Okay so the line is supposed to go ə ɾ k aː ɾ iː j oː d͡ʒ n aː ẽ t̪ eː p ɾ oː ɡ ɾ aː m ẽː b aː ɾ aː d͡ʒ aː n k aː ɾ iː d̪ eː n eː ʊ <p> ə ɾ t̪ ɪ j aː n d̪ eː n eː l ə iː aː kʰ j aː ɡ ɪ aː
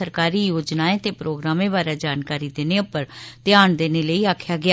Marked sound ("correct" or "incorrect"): correct